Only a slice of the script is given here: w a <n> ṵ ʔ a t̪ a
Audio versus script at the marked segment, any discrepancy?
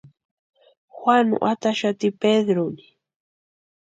no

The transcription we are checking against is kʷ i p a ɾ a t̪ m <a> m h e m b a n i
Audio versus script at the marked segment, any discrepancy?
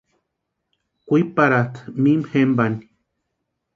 yes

